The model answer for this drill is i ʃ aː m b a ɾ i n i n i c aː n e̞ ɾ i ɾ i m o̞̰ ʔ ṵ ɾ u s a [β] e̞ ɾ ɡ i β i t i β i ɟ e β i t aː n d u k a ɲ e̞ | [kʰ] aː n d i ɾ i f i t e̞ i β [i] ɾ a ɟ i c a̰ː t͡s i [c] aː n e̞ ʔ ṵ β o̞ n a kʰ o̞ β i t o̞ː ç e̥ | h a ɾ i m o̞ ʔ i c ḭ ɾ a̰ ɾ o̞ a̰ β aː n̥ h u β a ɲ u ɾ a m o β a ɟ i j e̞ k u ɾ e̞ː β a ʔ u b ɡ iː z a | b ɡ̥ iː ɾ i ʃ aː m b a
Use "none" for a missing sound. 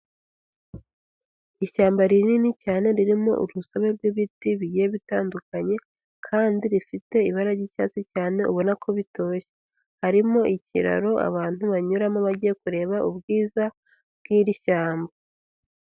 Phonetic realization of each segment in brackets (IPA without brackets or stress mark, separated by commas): β, kʰ, a, c